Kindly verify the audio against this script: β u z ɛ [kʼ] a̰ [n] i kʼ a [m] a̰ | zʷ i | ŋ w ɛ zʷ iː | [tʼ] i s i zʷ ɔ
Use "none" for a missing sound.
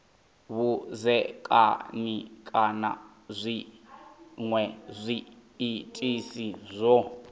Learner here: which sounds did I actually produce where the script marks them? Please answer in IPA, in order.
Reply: kʼ, n, n, tʼ

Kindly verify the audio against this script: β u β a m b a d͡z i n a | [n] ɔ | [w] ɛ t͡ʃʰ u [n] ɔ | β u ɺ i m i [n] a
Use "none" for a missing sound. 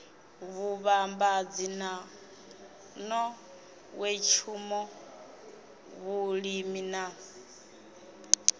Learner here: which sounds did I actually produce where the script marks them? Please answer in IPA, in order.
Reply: n, w, m, n

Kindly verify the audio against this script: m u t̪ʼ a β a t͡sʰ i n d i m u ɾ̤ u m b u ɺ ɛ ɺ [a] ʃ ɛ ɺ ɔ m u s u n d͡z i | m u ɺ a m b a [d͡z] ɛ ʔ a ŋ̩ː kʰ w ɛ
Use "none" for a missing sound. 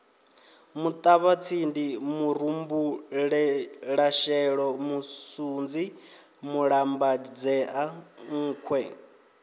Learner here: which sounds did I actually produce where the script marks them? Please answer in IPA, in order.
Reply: a, d͡z

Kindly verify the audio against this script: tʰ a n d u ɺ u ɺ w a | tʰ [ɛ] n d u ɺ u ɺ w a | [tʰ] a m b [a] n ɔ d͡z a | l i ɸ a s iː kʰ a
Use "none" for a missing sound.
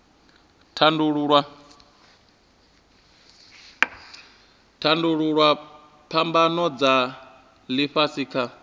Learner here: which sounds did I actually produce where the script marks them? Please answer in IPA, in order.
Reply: a, pʰ, a

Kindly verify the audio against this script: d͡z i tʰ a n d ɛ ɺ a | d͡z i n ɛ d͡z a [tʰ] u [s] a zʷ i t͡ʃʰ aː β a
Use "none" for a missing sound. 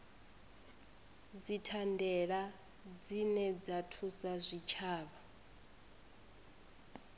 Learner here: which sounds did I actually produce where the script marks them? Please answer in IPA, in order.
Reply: tʰ, s

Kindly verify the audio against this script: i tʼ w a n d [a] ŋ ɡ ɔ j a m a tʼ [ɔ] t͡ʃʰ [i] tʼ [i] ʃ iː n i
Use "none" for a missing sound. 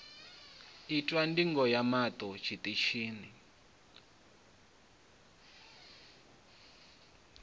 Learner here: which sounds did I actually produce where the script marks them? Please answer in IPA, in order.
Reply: i, ɔ, i, i

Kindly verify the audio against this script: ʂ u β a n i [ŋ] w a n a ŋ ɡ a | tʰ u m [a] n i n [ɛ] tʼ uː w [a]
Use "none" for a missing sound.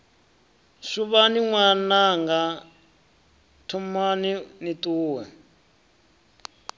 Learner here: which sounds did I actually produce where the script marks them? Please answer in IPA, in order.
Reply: ŋ, a, i, ɛ

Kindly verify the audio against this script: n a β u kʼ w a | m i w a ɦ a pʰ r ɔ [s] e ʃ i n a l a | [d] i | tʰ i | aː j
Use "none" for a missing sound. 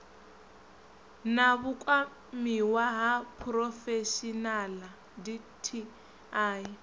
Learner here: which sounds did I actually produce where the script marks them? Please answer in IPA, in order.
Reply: f, d

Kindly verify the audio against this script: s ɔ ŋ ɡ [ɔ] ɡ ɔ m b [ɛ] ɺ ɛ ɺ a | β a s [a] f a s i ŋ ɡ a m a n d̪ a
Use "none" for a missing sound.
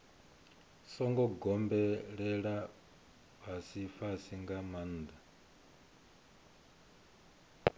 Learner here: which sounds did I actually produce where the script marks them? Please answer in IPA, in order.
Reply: ɔ, ɛ, i

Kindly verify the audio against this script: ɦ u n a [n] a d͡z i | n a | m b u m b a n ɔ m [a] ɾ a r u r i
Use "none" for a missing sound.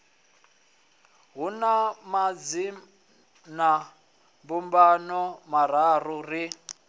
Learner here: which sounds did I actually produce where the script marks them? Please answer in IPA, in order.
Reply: m, a

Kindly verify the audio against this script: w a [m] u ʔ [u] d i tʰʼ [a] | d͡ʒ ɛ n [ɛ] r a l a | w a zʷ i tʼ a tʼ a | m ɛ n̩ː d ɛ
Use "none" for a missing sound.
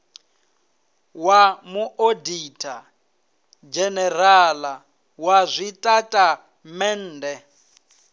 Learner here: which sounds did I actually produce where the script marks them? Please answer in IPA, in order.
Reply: m, o, a, ɛ

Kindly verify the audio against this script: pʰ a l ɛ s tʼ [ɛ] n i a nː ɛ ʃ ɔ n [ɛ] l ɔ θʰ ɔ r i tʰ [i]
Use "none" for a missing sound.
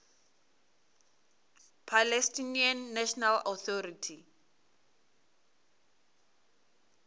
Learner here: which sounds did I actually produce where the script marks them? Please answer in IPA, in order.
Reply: i, a, i

